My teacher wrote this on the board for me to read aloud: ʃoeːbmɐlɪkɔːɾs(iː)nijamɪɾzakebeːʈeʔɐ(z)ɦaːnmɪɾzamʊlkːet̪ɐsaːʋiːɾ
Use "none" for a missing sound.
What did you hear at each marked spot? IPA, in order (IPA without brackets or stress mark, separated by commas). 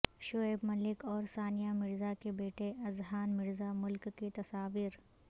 aː, z